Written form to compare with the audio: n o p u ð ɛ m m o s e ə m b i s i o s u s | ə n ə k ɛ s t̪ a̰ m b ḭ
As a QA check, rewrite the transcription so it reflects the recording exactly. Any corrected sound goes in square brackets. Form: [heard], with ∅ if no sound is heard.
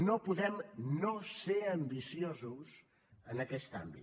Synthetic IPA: n o p u ð ɛ m [n] o s e ə m b i s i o [z] u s | ə n ə k ɛ s t̪ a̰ m b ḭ